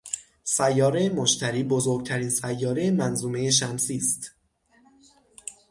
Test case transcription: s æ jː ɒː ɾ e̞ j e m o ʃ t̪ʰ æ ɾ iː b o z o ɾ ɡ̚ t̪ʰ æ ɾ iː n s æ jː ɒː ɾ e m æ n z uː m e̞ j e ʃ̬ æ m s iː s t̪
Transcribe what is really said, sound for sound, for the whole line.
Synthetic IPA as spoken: s æ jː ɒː ɾ e̞ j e m o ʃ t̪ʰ æ ɾ iː b o z o ɾ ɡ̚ t̪ʰ æ ɾ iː n s æ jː ɒː ɾ e m æ n z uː m e̞ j e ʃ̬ æ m s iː s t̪